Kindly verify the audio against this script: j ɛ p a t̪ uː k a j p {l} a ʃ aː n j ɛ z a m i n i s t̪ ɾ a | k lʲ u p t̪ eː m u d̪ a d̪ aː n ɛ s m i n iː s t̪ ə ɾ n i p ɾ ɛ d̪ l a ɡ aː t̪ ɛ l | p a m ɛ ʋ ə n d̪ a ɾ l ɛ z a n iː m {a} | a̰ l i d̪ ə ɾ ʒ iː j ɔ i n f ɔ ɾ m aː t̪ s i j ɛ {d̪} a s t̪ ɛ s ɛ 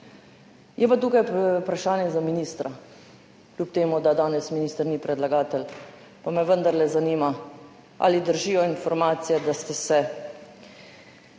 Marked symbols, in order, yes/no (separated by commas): no, yes, yes